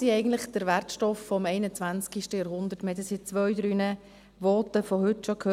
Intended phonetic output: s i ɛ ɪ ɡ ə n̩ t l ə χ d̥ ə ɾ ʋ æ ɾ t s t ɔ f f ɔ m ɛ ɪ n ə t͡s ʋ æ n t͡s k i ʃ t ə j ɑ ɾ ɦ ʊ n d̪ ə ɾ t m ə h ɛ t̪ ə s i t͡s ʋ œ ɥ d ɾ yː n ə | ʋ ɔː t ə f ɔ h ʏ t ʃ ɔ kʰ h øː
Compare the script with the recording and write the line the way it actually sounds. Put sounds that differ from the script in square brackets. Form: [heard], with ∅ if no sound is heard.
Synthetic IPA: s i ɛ ɪ ɡ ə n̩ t l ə χ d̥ ə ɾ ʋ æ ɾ t [ʃ] t ɔ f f ɔ m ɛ ɪ n ə t͡s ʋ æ n t͡s k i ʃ t ə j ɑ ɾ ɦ ʊ n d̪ ə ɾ t m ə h ɛ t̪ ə s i t͡s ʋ œ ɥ d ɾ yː n ə | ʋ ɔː t ə f ɔ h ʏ t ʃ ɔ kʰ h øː